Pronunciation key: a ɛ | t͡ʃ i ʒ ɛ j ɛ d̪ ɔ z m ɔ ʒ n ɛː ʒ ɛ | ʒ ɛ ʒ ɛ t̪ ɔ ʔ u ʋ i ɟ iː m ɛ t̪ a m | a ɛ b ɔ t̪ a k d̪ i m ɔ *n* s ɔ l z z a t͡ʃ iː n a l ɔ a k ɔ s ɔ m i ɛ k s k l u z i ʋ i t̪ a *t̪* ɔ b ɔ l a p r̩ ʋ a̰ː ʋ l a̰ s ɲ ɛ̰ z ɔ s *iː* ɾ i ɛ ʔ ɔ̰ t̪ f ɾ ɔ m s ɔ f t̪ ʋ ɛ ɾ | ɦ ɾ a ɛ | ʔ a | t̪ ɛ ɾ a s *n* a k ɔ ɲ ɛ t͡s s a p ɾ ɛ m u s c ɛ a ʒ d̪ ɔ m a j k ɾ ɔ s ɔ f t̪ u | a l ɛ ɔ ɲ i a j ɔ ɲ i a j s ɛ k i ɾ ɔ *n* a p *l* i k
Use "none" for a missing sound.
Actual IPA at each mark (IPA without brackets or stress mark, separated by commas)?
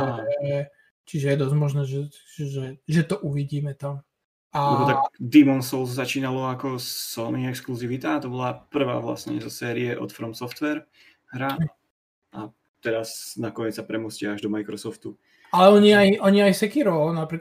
n, t̪, ɛː, n, n, ɾ